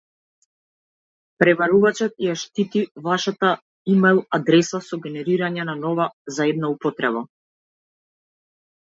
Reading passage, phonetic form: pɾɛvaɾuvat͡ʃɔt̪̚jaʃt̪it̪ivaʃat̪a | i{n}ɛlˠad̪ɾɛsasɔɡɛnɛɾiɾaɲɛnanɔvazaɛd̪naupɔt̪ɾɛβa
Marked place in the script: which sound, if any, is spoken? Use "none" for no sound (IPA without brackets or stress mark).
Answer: m